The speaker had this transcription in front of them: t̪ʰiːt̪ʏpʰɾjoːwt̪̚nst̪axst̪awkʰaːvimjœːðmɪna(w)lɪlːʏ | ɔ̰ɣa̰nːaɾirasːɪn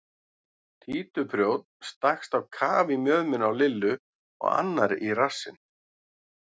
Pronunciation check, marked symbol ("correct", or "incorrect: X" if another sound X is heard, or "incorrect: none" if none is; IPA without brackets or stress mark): correct